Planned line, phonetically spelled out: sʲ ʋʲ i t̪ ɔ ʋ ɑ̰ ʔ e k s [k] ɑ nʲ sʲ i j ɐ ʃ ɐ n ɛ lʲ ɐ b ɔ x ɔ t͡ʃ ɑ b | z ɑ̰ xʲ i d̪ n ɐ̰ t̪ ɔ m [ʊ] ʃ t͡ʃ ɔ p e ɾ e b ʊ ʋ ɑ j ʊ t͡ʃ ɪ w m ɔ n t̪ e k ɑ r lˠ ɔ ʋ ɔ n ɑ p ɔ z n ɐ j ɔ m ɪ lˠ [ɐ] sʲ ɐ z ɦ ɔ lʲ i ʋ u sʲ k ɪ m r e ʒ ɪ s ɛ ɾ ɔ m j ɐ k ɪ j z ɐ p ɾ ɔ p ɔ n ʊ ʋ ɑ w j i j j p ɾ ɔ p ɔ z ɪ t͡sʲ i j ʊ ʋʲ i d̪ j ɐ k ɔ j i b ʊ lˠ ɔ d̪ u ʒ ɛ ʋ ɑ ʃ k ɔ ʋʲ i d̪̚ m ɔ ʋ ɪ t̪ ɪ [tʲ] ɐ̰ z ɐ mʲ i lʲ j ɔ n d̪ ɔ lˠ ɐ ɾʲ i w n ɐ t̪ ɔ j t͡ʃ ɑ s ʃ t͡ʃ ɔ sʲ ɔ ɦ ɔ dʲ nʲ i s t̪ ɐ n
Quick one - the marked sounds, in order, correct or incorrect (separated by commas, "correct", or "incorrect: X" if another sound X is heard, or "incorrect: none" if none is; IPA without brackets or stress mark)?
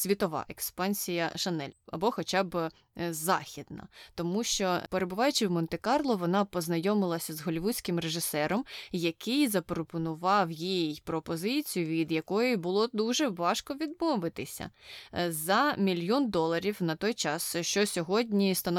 incorrect: p, incorrect: u, correct, incorrect: sʲ